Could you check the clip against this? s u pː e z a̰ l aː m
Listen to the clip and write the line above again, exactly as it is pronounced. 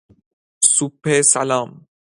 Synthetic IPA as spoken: s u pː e s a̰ l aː m